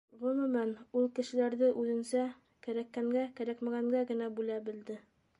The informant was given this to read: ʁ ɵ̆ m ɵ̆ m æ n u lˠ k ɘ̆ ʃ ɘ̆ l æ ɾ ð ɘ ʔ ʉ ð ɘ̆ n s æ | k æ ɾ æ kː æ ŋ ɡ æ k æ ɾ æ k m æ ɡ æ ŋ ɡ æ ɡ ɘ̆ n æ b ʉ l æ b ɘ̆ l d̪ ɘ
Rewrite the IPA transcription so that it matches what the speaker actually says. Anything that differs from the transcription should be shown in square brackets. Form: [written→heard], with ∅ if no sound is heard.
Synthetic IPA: ʁ ɵ̆ m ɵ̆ m æ n u lˠ k ɘ̆ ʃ ɘ̆ l æ ɾ ð ɘ ʔ ʉ ð ɘ̆ n s æ | k æ ɾ æ kː æ ŋ ɡ æ k æ ɾ æ k m æ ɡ æ ŋ ɡ æ ɡ ɘ̆ n æ b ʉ l æ b ɘ̆ l d̪ ɘ